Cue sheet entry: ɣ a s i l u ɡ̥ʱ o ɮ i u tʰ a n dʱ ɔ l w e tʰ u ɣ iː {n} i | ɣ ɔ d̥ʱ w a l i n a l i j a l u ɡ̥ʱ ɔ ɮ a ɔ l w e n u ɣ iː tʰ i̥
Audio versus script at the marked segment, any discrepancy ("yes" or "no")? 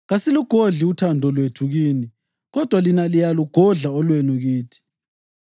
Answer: no